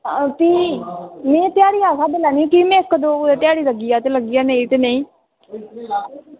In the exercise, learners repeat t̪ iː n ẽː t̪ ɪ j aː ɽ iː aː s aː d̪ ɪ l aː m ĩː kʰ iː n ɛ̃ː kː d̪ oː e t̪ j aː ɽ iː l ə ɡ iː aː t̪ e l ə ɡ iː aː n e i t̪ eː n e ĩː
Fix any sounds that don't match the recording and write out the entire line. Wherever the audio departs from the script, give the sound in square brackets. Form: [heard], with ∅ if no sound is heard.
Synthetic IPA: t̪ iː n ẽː t̪ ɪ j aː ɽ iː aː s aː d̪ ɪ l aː [n] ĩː [k] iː [m] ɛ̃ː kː d̪ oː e t̪ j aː ɽ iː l ə ɡ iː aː t̪ e l ə ɡ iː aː n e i t̪ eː n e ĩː